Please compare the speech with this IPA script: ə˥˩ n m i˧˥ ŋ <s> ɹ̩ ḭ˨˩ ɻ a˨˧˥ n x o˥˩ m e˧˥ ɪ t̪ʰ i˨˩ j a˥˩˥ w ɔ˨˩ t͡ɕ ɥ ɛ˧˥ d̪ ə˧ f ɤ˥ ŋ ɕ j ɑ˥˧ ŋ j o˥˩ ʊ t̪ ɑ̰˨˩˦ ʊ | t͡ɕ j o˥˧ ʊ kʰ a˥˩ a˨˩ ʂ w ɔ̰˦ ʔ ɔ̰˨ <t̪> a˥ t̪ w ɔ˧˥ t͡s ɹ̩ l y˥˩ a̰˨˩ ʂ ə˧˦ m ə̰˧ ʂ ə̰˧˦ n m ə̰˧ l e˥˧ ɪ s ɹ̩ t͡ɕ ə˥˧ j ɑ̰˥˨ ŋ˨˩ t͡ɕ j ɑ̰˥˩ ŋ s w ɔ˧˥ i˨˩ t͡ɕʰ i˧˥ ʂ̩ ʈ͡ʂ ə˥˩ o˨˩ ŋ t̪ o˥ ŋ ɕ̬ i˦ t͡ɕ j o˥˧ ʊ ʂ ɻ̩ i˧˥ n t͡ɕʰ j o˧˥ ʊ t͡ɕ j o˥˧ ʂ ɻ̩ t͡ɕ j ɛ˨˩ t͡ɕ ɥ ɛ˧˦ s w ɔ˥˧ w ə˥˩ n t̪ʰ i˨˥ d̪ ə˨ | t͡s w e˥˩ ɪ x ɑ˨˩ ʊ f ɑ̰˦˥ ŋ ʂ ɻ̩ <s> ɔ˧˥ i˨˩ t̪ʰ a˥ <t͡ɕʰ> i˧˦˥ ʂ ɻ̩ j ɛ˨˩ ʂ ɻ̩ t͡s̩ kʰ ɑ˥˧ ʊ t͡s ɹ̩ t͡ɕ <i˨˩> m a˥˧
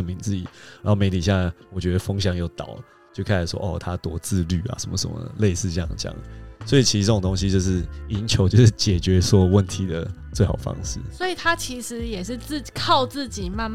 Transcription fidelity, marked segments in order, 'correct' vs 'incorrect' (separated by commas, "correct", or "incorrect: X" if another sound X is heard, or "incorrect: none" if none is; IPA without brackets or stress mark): incorrect: t͡s, incorrect: t̪ʰ, correct, correct, correct